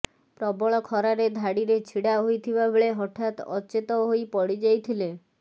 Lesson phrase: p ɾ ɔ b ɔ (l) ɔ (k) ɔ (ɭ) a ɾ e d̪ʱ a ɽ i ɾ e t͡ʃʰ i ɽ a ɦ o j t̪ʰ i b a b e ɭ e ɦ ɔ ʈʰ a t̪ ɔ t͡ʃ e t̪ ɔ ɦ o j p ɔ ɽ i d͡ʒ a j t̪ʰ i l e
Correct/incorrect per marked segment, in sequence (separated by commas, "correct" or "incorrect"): incorrect, incorrect, incorrect